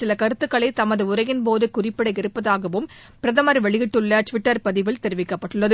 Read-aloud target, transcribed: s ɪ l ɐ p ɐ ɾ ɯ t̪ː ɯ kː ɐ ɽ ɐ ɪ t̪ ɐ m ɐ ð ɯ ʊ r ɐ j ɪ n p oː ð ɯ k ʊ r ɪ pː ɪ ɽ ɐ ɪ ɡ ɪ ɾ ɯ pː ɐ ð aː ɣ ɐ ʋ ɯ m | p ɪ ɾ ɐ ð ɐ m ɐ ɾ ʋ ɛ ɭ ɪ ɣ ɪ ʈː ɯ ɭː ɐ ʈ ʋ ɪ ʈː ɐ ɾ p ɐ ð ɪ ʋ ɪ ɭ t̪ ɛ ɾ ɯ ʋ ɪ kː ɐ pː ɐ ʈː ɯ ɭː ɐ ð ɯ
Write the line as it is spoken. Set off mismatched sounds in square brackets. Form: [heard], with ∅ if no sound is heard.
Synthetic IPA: s ɪ l ɐ [k] ɐ ɾ ɯ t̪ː ɯ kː ɐ [ɭ] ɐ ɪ t̪ ɐ m ɐ ð ɯ ʊ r ɐ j ɪ n p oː ð ɯ k ʊ r ɪ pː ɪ ɽ ɐ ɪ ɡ ɪ ɾ ɯ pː ɐ ð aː ɣ ɐ ʋ ɯ m | p ɪ ɾ ɐ ð ɐ m ɐ ɾ ʋ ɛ ɭ ɪ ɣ ɪ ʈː ɯ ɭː ɐ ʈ ʋ ɪ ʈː ɐ ɾ p ɐ ð ɪ ʋ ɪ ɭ t̪ ɛ ɾ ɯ ʋ ɪ kː ɐ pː ɐ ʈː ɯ ɭː ɐ ð ɯ